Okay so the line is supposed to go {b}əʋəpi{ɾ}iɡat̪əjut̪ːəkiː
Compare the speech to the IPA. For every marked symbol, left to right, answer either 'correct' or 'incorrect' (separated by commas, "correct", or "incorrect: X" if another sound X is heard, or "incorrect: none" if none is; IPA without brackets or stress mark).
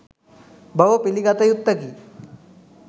correct, incorrect: l